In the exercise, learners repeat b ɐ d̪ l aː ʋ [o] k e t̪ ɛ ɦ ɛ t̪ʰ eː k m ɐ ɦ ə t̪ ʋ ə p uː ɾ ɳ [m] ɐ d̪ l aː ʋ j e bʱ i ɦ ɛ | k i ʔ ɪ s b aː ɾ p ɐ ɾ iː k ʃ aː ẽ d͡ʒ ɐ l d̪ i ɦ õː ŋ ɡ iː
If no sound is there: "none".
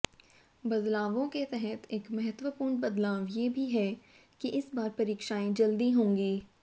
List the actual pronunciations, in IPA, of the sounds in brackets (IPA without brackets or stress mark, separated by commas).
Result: õ, b